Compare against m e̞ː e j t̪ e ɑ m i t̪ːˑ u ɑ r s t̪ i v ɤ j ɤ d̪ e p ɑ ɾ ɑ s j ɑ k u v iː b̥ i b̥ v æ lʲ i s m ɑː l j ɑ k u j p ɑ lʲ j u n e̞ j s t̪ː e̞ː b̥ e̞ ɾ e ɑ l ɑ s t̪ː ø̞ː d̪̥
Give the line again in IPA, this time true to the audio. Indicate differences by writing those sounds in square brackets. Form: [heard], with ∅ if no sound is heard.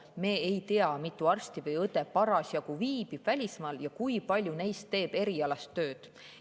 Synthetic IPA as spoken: m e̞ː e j t̪ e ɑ m i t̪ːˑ u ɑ r s t̪ i v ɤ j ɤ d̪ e p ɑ ɾ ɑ s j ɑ k u v iː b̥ i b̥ v æ lʲ i s m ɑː l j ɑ k u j p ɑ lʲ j u n e̞ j s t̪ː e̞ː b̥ e̞ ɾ [i] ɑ l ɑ s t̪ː ø̞ː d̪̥